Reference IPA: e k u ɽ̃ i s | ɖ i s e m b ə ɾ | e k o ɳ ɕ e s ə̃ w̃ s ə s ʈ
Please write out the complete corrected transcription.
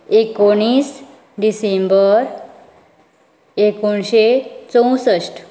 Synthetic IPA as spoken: e k o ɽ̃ i s | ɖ i s e m b ə ɾ | e k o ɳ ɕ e t͡s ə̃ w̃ s ə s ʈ